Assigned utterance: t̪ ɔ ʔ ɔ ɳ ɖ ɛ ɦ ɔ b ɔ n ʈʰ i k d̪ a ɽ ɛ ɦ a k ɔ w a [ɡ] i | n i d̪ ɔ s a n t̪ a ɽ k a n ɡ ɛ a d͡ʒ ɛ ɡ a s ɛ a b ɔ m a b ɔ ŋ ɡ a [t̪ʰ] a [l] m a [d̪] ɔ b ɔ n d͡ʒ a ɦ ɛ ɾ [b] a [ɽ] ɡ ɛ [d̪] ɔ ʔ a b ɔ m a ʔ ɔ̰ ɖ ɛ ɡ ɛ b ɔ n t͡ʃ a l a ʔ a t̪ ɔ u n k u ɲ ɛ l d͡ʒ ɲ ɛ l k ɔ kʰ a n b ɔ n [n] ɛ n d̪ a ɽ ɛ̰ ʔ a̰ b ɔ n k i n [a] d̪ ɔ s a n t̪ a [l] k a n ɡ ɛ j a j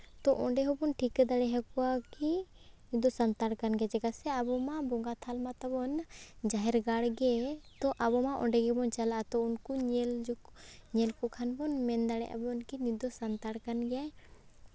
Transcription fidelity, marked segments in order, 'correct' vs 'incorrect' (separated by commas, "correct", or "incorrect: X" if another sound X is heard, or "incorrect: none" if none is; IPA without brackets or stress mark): incorrect: k, correct, correct, incorrect: t̪, incorrect: ɡ, correct, incorrect: t̪, incorrect: m, incorrect: i, incorrect: ɽ